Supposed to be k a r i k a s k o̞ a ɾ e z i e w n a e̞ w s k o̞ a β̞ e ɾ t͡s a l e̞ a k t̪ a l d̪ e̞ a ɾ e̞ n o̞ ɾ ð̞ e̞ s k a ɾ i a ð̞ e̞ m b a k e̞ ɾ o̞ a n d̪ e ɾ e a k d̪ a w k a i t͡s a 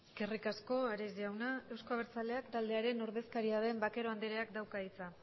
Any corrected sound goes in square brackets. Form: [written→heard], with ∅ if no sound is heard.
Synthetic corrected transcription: k [a→e] r i k a s k o̞ a ɾ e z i [e→a] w n a e̞ w s k o̞ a β̞ e ɾ t͡s a l e̞ a k t̪ a l d̪ e̞ a ɾ e̞ n o̞ ɾ ð̞ e̞ s k a ɾ i a ð̞ e̞ m b a k e̞ ɾ o̞ a n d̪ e ɾ e a k d̪ a w k a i t͡s a